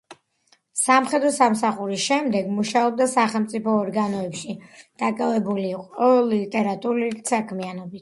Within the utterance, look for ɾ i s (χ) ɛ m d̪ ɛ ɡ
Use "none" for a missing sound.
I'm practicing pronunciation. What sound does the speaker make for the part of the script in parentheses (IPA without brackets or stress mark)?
ʃ